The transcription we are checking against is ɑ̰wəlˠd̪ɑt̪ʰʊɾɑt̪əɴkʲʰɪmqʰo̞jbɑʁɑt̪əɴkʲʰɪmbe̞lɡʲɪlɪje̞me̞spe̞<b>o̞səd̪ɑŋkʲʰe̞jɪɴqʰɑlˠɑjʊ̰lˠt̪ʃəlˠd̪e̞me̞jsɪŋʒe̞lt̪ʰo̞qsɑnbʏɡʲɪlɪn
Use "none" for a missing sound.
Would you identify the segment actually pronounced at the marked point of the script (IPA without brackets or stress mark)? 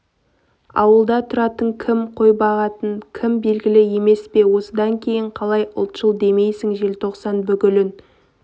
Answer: w